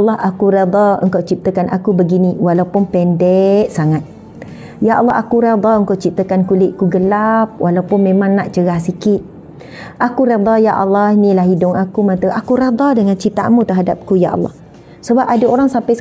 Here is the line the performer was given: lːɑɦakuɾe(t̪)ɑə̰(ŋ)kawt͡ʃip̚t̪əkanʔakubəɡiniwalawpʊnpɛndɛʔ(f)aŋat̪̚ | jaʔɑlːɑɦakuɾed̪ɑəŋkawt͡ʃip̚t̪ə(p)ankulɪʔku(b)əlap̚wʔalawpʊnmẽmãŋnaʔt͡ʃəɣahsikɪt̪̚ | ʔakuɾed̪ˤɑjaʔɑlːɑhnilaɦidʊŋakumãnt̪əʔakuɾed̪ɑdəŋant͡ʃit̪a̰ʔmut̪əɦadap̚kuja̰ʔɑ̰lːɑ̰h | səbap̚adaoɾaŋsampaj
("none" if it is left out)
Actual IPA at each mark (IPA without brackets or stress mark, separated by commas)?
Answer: d̪, ŋ, s, k, ɡ